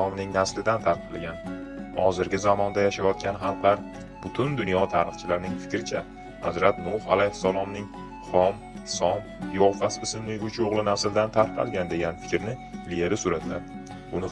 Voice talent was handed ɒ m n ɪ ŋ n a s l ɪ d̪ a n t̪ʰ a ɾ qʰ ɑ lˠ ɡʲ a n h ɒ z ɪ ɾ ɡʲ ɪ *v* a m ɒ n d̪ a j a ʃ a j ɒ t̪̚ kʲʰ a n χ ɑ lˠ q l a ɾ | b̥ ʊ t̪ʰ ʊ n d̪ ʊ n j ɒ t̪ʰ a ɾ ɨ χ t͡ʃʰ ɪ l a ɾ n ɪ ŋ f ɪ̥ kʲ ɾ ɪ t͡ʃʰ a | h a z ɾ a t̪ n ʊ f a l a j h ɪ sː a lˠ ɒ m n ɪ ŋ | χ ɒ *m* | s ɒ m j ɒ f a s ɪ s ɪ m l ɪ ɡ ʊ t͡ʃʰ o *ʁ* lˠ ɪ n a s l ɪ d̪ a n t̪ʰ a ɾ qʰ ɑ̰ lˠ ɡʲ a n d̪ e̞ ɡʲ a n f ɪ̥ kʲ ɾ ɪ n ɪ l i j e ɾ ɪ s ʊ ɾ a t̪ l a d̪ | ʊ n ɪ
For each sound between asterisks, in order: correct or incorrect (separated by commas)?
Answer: incorrect, correct, correct